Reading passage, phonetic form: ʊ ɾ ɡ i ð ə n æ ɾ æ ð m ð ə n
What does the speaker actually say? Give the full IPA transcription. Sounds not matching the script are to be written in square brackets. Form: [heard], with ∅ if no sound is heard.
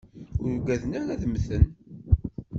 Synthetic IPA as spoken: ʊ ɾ ɡ [æ] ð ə n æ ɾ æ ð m [θ] ə n